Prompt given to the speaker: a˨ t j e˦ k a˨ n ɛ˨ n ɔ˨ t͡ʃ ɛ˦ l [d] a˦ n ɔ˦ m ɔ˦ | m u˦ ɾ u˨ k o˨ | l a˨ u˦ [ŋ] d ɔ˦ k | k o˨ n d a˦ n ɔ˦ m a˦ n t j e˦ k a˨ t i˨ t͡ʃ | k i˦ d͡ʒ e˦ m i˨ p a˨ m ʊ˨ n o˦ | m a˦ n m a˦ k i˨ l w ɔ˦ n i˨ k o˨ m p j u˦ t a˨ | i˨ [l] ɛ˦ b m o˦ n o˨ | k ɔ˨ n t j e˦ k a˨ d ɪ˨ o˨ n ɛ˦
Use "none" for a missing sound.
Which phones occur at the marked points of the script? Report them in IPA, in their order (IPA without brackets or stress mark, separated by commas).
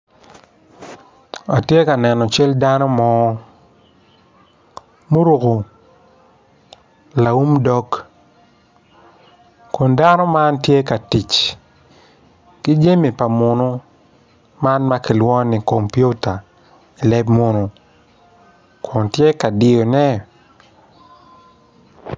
d, m, l